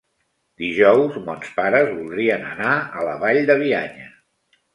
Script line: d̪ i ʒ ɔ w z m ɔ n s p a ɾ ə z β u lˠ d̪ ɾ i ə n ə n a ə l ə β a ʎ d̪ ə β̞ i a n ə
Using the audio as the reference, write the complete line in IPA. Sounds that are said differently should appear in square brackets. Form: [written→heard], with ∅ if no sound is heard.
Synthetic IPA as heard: d̪ i ʒ ɔ w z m ɔ n s p a ɾ ə z β u lˠ d̪ ɾ i ə n ə n a ə l ə β a ʎ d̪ ə β̞ i a [n→ɲ] ə